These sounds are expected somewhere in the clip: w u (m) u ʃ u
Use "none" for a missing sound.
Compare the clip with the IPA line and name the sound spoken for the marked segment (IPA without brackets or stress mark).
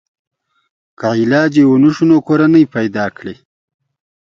n